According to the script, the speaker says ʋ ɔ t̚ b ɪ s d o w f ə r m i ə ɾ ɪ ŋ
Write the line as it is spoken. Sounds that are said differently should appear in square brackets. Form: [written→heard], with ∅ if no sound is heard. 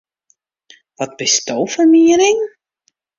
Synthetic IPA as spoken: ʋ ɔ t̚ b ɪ s [d→t] o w f ə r m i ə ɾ ɪ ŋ